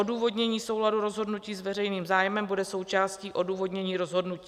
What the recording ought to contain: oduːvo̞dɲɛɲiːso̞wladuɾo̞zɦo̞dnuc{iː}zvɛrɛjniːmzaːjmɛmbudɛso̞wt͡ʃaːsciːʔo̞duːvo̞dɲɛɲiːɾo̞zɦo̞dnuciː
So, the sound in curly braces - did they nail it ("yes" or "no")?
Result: yes